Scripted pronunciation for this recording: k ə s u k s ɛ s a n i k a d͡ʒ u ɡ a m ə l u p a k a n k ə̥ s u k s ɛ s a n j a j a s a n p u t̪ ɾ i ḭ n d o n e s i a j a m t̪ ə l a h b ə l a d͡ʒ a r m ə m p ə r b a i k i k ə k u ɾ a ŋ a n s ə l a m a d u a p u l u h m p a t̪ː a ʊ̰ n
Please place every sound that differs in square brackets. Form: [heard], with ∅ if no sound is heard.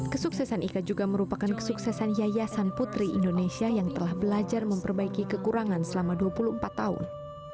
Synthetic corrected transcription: k ə s u k s ɛ s a n i k a d͡ʒ u ɡ a m ə [ɾ] u p a k a n k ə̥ s u k s ɛ s a n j a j a s a n p u t̪ ɾ i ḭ n d o n e s i a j a [ŋ] t̪ ə l a h b ə l a d͡ʒ a r m ə m p ə r b a i k i k ə k u ɾ a ŋ a n s ə l a m a d u a p u l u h m p a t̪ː a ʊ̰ n